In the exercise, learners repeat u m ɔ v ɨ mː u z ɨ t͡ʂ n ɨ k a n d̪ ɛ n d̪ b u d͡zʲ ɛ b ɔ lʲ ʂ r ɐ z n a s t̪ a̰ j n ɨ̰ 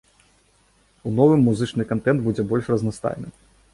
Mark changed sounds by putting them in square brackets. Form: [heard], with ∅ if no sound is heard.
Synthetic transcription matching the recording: u [n] ɔ v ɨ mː u z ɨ t͡ʂ n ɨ k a n [t̪] ɛ n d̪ b u d͡zʲ ɛ b ɔ lʲ ʂ r ɐ z n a s t̪ a̰ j n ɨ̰